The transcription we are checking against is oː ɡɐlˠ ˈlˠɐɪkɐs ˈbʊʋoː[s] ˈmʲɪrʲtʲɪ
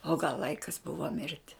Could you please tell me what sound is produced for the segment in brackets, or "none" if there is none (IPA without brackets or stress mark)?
none